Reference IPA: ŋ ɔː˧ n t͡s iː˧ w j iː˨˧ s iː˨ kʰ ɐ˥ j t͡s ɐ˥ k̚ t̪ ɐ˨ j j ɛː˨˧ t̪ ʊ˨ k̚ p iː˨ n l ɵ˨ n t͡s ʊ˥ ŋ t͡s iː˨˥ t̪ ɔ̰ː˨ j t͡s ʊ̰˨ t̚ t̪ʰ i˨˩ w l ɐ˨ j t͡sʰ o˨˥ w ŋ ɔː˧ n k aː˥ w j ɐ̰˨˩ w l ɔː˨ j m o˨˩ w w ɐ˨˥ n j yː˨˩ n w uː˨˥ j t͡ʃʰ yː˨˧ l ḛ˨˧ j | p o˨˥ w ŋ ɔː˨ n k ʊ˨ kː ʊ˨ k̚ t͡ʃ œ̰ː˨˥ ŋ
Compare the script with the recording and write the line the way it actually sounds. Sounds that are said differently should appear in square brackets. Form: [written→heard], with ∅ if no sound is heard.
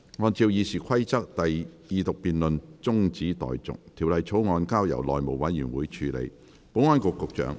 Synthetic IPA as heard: ŋ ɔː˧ n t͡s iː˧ w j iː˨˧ s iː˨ kʰ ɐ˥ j t͡s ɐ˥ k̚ t̪ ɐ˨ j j [ɛː˨˧→iː˨˧] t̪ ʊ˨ k̚ p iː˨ n l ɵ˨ n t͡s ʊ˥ ŋ t͡s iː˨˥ t̪ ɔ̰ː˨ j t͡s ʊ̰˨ [t̚→k̚] t̪ʰ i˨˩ w l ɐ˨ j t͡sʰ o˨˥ w ŋ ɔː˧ n k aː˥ w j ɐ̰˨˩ w l ɔː˨ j m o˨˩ w w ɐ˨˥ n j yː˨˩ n w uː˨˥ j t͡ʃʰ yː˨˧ l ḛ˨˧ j | p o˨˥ w ŋ [ɔː˨→ɔː˥] n k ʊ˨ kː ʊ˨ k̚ t͡ʃ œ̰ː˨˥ ŋ